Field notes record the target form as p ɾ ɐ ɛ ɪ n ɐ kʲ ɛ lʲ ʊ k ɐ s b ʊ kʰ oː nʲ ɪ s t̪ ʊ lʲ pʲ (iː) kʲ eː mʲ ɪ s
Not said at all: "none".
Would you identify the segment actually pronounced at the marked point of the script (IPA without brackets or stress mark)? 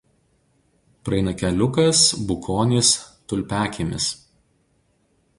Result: æː